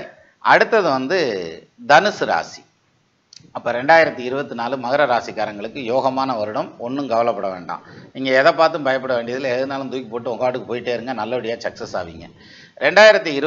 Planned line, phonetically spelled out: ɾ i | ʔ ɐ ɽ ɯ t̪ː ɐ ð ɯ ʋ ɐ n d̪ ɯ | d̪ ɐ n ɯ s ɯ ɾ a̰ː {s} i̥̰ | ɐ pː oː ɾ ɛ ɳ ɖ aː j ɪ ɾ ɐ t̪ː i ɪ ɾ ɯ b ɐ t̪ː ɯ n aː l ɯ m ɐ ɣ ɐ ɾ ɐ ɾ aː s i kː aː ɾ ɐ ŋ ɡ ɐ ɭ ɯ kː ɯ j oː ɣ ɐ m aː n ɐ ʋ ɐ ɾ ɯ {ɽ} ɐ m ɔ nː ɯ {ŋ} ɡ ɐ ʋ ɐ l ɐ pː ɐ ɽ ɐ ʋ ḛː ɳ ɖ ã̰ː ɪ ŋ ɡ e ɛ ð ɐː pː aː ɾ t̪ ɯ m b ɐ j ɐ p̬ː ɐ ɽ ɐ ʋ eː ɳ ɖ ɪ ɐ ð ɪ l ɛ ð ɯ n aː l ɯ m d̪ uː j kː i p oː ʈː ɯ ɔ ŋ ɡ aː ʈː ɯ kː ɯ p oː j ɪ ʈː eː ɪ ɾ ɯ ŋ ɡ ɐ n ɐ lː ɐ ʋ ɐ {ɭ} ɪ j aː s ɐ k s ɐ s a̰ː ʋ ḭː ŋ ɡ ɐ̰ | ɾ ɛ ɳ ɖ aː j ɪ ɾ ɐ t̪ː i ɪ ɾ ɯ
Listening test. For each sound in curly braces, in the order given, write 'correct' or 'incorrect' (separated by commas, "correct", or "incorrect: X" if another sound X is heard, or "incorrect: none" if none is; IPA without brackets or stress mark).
correct, correct, incorrect: m, incorrect: ɽ